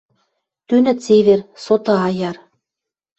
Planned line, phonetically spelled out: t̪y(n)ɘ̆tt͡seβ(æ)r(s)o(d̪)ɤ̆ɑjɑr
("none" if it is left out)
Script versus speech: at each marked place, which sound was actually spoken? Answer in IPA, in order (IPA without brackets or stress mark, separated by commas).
n, e, s, t̪